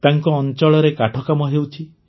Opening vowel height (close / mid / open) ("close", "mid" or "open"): open